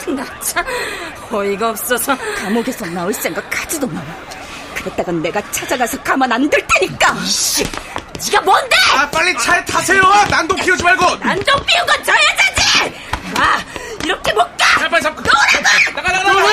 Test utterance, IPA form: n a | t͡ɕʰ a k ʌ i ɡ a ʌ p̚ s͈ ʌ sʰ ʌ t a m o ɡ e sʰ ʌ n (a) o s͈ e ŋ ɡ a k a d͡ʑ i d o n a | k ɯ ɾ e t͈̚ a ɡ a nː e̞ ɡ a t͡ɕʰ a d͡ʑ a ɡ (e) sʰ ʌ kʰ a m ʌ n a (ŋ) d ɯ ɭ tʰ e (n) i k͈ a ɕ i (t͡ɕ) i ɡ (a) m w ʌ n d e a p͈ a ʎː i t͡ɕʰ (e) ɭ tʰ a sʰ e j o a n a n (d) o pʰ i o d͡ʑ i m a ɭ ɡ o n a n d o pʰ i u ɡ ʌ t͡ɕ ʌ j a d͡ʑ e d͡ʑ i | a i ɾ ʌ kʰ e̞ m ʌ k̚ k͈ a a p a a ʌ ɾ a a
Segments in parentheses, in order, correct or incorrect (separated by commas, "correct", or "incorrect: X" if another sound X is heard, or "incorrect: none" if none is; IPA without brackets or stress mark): correct, incorrect: a, incorrect: n, incorrect: ɲ, correct, correct, incorrect: a, correct